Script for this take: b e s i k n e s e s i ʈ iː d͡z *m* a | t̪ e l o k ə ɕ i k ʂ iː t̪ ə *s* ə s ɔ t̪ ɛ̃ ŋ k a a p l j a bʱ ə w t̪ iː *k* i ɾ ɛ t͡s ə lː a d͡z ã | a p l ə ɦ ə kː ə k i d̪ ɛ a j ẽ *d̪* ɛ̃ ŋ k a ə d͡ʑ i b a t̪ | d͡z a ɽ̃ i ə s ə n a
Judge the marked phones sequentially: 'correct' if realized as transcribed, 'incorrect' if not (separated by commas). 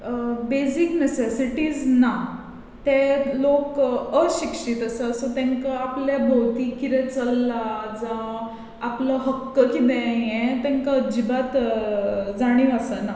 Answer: incorrect, correct, correct, incorrect